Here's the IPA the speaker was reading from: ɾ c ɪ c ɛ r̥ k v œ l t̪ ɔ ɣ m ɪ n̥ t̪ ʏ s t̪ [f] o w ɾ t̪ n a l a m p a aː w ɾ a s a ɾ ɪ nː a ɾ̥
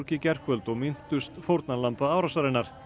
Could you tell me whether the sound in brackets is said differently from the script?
no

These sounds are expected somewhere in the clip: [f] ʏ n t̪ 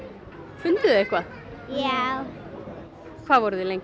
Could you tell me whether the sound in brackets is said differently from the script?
no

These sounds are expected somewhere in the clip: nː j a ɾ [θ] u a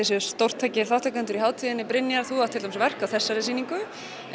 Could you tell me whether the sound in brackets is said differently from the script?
no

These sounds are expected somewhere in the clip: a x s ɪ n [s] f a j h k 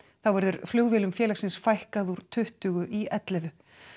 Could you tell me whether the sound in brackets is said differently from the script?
no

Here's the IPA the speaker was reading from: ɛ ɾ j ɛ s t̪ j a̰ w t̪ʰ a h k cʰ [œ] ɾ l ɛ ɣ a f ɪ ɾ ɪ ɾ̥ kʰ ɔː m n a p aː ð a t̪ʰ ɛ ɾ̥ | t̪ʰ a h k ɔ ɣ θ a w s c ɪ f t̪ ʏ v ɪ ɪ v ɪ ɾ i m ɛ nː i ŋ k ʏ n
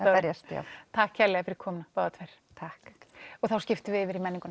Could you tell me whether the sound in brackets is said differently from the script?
yes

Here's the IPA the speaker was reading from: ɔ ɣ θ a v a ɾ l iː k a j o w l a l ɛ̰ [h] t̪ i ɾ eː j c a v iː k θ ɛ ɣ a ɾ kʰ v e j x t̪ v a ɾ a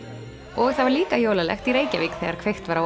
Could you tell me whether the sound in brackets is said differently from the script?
yes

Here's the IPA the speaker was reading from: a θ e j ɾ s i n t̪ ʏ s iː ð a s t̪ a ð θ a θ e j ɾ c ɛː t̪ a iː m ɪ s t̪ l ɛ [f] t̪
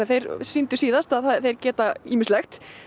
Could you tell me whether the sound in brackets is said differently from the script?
yes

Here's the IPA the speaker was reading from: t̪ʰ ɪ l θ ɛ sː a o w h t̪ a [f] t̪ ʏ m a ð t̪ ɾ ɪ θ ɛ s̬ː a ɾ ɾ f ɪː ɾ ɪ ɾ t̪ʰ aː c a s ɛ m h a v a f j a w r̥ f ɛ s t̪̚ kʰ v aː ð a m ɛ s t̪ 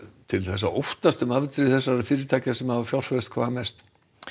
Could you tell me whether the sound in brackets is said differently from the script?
yes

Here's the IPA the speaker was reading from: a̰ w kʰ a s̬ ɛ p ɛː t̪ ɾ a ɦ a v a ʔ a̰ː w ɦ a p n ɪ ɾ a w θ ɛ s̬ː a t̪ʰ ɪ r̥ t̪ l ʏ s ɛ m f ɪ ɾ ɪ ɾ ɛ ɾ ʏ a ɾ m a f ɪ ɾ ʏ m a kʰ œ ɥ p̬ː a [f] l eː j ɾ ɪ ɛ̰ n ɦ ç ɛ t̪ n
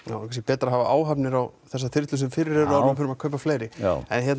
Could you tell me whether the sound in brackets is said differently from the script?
no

